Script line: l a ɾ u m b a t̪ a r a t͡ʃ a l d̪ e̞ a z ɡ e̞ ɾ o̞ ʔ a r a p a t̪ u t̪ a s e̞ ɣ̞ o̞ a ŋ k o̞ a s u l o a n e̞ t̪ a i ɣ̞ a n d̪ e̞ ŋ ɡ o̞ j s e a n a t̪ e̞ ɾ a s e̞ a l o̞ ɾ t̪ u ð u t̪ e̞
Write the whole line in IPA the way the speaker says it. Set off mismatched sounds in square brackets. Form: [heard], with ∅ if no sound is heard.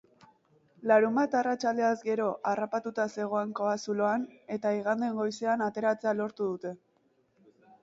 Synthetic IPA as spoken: l a ɾ u m b a t̪ a r a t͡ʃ a l d̪ e̞ a z ɡ e̞ ɾ o̞ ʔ a r a p a t̪ u t̪ a s e̞ ɣ̞ o̞ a ŋ k o̞ a s u l o a n e̞ t̪ a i ɣ̞ a n d̪ e̞ ŋ ɡ o̞ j s e a n a t̪ e̞ ɾ a [t͡s] e̞ a l o̞ ɾ t̪ u ð u t̪ e̞

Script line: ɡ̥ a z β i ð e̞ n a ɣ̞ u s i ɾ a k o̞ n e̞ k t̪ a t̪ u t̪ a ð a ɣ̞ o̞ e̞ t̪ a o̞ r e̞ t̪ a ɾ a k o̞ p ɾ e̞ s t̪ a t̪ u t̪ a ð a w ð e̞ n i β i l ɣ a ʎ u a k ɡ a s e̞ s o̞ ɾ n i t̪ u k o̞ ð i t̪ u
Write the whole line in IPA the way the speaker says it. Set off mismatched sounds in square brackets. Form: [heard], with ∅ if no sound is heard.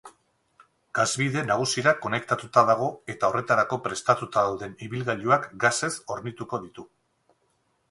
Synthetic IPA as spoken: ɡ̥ a z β i ð e̞ n a ɣ̞ u s i ɾ a k o̞ n e̞ k t̪ a t̪ u t̪ a ð a ɣ̞ o̞ e̞ t̪ a o̞ r e̞ t̪ a ɾ a k o̞ p ɾ e̞ s t̪ a t̪ u t̪ a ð a w ð e̞ n i β i l ɣ a ʎ u a k ɡ a s e̞ s o̞ ɾ n i t̪ u k o̞ ð i t̪ u

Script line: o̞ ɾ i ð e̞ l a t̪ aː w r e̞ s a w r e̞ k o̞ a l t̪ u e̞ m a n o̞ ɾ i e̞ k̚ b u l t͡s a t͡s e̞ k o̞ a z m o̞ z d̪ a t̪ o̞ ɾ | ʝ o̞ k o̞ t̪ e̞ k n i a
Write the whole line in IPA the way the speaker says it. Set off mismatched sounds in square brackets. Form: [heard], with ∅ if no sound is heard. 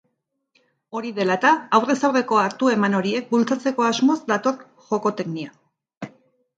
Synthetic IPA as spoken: o̞ ɾ i ð e̞ l a t̪ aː w r e̞ s a w r e̞ k o̞ a [ɾ] t̪ u e̞ m a n o̞ ɾ i e̞ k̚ b u l t͡s a t͡s e̞ k o̞ a z m o̞ z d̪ a t̪ o̞ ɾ | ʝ o̞ k o̞ t̪ e̞ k n i a

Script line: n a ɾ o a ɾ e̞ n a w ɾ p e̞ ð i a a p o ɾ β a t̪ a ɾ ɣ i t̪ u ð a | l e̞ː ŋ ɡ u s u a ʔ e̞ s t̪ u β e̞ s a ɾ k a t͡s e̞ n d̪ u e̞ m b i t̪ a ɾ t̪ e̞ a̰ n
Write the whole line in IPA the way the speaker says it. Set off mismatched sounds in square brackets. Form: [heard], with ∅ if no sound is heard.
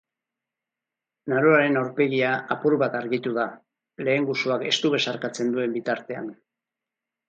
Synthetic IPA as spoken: n a ɾ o a ɾ e̞ n a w ɾ p e̞ [ɣ] i a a p [u] ɾ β a t̪ a ɾ ɣ i t̪ u ð a | l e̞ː ŋ ɡ u s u a [k] e̞ s t̪ u β e̞ s a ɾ k a t͡s e̞ n d̪ u e̞ m b i t̪ a ɾ t̪ e̞ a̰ n

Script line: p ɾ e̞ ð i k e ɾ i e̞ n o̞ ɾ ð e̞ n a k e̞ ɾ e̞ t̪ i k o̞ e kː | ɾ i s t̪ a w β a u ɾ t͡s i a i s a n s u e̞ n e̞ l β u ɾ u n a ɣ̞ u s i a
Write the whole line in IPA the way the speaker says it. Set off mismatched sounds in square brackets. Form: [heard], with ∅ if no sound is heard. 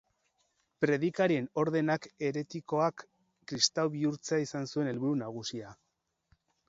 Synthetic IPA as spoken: p ɾ e̞ ð i k [a] ɾ i e̞ n o̞ ɾ ð e̞ n a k e̞ ɾ e̞ t̪ i k o̞ [a] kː | ɾ i s t̪ a w β [i] u ɾ t͡s [e] a i s a n s u e̞ n e̞ l β u ɾ u n a ɣ̞ u s i a

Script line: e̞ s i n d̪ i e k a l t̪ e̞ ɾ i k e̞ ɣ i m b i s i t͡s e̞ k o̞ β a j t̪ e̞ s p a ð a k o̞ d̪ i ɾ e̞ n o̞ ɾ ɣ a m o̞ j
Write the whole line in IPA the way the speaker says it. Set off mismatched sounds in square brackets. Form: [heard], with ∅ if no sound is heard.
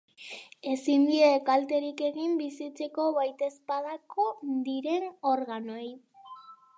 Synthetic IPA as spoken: e̞ s i n d̪ i e k a l t̪ e̞ ɾ i k e̞ ɣ i m b i s i t͡s e̞ k o̞ β a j t̪ e̞ s p a ð a k o̞ d̪ i ɾ e̞ n o̞ ɾ ɣ a [n] o̞ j

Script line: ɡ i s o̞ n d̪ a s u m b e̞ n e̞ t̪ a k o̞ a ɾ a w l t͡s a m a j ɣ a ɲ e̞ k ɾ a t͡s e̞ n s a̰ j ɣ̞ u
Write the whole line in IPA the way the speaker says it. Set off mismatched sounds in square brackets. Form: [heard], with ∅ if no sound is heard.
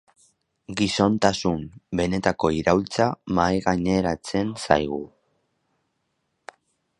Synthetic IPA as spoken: ɡ i s o̞ n [t̪] a s u m b e̞ n e̞ t̪ a k o̞ [i] ɾ a w l t͡s a m a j ɣ a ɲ e̞ [∅] ɾ a t͡s e̞ n s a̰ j ɣ̞ u

